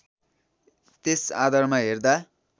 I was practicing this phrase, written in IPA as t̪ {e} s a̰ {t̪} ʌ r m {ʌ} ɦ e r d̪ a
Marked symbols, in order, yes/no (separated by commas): yes, no, no